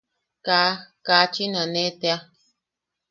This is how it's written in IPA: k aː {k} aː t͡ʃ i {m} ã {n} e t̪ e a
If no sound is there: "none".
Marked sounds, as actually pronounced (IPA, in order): k, n, n

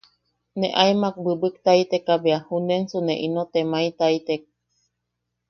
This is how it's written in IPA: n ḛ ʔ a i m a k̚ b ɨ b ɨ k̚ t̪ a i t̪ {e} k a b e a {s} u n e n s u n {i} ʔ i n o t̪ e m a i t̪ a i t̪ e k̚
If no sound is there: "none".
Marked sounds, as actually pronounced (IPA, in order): e, h, e

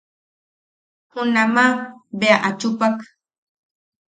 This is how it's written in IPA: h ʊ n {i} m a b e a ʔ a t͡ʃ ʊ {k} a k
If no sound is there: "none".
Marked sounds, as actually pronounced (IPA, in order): a, p

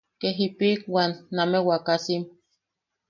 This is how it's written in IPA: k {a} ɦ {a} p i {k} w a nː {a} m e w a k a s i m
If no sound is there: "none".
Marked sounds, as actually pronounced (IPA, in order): e, i, k, a

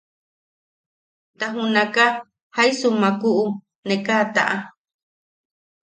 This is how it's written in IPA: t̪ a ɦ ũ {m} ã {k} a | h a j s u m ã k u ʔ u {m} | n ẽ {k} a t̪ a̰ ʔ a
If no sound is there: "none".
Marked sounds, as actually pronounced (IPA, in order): n, k, none, k

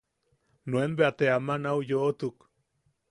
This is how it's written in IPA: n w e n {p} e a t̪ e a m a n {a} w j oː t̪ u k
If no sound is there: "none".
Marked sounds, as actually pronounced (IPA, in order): b, a

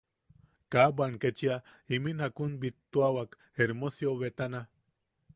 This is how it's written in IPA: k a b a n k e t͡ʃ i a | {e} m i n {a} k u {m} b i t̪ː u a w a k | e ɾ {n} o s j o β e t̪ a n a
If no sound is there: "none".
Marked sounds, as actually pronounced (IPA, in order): i, a, n, m

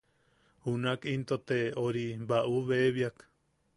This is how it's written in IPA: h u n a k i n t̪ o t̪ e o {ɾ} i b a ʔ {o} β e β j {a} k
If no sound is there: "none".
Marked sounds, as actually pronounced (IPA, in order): ɾ, u, a

